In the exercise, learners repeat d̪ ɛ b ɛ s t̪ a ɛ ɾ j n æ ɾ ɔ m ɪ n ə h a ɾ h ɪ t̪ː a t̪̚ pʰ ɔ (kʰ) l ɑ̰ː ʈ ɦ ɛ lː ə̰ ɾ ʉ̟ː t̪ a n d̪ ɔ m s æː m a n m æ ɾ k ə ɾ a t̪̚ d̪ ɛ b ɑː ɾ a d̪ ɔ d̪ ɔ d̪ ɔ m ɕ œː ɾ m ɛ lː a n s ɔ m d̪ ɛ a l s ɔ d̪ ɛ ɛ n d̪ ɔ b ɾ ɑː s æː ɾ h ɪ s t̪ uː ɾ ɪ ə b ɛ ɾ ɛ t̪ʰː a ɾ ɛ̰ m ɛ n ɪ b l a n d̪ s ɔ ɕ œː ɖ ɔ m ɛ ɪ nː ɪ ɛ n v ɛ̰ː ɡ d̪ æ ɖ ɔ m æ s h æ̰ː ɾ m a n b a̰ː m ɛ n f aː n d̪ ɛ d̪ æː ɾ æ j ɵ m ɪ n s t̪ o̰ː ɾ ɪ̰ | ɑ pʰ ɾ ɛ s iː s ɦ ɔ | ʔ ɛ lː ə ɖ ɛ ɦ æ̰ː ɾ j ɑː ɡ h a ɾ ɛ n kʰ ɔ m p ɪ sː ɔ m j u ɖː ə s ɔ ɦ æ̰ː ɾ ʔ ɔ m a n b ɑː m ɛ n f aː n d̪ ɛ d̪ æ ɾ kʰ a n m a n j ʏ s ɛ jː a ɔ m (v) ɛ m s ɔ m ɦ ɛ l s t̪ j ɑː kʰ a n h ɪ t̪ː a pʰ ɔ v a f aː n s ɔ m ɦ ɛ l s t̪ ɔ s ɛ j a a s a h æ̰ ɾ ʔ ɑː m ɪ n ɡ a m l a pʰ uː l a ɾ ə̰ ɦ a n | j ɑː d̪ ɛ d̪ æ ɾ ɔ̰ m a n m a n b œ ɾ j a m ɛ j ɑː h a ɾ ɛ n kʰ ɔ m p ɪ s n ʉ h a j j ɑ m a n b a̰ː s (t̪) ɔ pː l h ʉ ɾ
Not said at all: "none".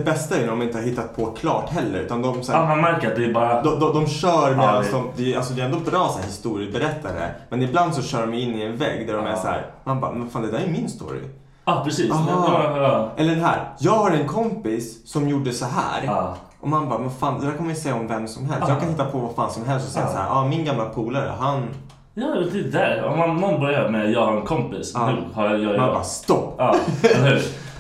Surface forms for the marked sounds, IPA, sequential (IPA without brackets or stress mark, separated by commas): kʰ, v, t̪